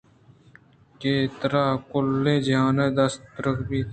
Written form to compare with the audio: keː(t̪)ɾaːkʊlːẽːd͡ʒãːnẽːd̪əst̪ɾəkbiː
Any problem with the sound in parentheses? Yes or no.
no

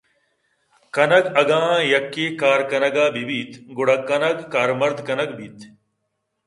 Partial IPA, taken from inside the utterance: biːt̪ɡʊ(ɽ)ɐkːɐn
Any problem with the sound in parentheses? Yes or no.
no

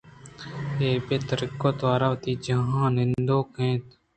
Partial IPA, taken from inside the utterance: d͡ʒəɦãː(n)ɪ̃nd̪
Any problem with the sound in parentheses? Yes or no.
no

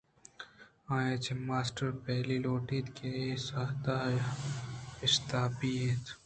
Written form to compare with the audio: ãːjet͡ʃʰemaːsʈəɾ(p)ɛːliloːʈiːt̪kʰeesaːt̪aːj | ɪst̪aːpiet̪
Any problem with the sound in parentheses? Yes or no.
no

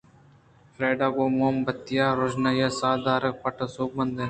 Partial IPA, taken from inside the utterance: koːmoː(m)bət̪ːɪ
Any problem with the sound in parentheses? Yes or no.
no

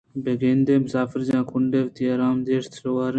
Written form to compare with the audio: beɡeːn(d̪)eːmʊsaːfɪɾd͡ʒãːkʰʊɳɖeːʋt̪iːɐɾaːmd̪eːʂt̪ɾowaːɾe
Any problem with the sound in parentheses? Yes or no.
no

